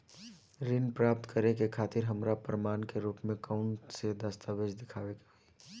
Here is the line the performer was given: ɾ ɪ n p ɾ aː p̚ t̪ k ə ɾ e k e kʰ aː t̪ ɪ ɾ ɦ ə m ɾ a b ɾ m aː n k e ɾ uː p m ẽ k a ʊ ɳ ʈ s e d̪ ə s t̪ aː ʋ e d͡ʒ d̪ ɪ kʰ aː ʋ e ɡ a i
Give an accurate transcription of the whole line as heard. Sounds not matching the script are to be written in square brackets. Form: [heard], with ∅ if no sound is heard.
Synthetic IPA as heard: ɾ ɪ n p ɾ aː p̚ t̪ k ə ɾ e k e kʰ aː t̪ ɪ ɾ ɦ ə m ɾ a [p] ɾ m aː n k e ɾ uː p m ẽ k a ʊ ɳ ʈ s e d̪ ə s t̪ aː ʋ e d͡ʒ d̪ ɪ kʰ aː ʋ e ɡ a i